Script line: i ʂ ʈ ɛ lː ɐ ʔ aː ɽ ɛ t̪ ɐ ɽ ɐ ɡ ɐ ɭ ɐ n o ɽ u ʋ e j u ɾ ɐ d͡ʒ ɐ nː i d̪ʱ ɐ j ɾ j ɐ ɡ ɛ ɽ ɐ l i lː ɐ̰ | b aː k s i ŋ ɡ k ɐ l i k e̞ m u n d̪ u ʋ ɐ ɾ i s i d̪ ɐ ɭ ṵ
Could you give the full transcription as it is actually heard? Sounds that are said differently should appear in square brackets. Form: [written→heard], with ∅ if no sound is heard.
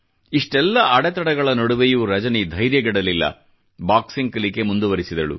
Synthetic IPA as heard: i ʂ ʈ ɛ lː ɐ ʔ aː ɽ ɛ t̪ ɐ ɽ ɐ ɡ ɐ ɭ ɐ n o ɽ u ʋ e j u ɾ ɐ d͡ʒ ɐ [nː→n] i d̪ʱ ɐ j ɾ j ɐ ɡ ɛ ɽ ɐ l i lː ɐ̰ | b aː k s i ŋ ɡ k ɐ l i k e̞ m u n d̪ u ʋ ɐ ɾ i s i d̪ ɐ ɭ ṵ